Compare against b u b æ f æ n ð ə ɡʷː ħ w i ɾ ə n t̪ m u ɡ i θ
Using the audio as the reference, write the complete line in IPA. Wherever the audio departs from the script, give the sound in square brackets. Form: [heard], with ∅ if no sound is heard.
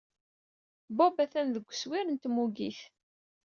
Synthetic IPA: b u b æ [θ] æ n ð ə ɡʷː [s] w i ɾ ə n t̪ m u ɡ i θ

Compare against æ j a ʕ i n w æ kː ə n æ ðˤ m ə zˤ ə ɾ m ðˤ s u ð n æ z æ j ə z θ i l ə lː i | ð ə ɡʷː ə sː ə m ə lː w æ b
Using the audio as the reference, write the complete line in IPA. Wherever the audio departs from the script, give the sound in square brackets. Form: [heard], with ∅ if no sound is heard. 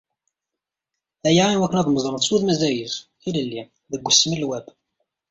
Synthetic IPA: æ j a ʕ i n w æ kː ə n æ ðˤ m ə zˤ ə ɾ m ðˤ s u ð [m] æ z æ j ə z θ i l ə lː i | ð ə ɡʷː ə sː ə m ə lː w æ b

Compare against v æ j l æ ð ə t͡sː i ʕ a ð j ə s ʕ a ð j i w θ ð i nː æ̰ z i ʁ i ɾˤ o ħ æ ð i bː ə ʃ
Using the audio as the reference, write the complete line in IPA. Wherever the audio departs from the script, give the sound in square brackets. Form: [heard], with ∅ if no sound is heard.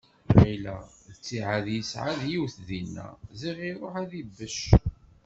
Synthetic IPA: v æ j l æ ð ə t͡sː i ʕ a ð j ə s ʕ a ð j i w θ ð i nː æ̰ z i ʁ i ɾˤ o ħ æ ð i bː ə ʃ

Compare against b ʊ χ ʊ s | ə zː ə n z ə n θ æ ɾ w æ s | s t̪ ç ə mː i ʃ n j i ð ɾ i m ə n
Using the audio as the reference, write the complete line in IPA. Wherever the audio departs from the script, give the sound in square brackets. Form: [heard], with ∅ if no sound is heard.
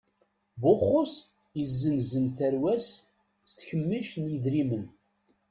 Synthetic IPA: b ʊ χ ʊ s | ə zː ə n z ə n θ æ ɾ w æ s | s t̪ ç ə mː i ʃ n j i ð ɾ i m ə n

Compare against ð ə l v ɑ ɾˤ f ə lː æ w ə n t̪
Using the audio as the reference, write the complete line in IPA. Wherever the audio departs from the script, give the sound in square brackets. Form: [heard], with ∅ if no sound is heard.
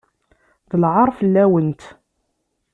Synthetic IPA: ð ə l [ʕ] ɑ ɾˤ f ə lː æ w ə n t̪

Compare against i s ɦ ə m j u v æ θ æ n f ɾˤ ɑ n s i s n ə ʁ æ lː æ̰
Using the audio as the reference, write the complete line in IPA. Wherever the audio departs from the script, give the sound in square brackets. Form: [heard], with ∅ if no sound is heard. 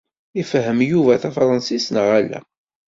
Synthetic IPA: i [f] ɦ ə m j u v æ θ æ [∅] f ɾˤ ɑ n s i s n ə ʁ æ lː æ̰

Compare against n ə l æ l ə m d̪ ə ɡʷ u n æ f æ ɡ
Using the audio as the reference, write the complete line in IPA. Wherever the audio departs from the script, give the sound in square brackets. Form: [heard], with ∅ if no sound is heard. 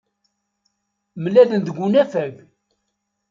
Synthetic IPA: [m] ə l æ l ə [n] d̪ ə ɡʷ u n æ f æ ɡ

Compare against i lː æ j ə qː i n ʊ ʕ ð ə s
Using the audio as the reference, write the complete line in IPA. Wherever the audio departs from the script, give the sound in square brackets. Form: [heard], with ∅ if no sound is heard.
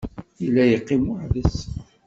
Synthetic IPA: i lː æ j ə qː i [m] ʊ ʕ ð ə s

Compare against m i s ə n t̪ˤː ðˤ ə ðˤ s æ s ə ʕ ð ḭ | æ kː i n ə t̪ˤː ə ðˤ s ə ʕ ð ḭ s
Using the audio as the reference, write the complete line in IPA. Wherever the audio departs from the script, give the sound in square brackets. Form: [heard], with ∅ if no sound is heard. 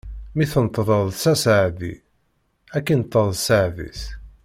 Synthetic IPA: m i [θ] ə n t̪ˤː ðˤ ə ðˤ s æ s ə ʕ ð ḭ | æ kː i n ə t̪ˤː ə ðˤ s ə ʕ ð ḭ s

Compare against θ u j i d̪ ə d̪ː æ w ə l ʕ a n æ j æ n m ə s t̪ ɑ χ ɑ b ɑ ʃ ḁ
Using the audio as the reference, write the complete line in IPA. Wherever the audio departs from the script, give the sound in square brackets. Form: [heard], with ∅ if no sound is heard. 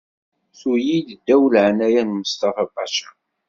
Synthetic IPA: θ u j i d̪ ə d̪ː æ w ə l ʕ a n æ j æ n m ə s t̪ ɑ [f] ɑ b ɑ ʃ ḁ

